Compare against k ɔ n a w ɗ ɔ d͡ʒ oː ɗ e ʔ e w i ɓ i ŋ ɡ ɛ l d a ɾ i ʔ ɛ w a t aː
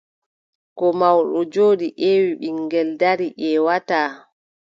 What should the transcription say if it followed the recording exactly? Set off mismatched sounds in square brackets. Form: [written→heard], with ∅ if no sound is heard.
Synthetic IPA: k ɔ [n→m] a w ɗ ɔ d͡ʒ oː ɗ [e→i] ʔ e w i ɓ i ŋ ɡ ɛ l d a ɾ i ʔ ɛ w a t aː